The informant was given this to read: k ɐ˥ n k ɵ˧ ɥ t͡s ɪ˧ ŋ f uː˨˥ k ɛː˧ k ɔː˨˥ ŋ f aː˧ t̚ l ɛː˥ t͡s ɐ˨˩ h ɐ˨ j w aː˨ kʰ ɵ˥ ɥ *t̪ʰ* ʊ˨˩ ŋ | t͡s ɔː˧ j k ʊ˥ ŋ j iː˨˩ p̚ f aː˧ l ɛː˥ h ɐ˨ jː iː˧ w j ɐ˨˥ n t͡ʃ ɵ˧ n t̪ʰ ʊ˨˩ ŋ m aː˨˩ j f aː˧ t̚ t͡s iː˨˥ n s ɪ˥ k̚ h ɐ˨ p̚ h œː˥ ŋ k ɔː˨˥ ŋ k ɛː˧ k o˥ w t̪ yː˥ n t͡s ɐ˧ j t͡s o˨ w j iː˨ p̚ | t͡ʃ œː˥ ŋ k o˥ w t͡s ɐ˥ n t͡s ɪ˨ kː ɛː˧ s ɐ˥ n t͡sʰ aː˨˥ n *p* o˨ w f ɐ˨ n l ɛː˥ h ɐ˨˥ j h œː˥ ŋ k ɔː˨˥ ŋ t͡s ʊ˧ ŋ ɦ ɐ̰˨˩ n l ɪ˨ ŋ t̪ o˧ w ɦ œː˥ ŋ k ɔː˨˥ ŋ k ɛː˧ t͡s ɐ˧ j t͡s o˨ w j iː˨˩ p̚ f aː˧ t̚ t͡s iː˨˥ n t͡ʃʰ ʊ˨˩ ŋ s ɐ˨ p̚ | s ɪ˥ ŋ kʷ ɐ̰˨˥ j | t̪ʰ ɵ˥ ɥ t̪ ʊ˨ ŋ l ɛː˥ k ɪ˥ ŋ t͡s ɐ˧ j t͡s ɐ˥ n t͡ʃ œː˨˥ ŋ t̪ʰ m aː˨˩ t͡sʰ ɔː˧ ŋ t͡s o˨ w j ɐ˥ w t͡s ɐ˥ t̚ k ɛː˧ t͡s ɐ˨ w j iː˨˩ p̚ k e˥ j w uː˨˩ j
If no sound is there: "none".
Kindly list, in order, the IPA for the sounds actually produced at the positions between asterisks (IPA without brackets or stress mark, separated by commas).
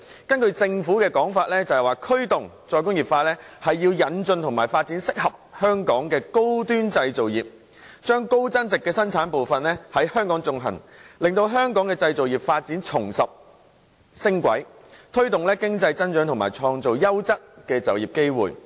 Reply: t̪, p